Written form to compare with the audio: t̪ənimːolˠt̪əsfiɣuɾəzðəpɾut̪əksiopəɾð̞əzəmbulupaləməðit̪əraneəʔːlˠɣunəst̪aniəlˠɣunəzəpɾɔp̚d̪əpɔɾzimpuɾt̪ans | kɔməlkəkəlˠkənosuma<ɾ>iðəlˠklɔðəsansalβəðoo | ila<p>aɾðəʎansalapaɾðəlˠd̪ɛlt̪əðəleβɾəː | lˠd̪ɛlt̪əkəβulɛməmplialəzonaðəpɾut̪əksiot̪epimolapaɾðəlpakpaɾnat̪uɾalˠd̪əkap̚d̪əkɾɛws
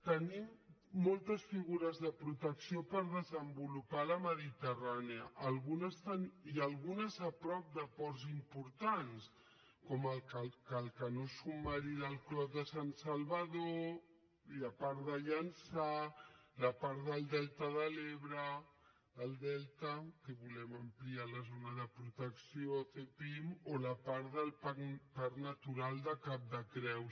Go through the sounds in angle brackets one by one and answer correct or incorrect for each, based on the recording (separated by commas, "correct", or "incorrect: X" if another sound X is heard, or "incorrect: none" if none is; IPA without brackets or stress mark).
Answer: correct, correct